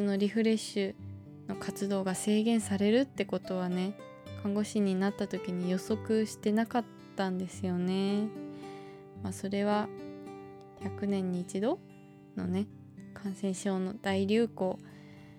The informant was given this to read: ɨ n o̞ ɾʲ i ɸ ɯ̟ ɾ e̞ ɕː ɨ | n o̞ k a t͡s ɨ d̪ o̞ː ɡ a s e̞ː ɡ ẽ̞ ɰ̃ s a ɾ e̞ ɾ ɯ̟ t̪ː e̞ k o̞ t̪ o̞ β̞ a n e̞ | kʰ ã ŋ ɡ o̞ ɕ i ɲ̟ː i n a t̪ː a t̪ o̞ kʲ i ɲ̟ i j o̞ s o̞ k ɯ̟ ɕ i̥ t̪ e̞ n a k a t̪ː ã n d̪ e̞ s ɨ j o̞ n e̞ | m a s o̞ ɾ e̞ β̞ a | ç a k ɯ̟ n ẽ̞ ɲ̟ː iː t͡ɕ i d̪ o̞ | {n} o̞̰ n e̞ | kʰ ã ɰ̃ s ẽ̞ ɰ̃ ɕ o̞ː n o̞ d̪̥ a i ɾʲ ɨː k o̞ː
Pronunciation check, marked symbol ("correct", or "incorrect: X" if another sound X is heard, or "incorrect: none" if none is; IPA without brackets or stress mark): correct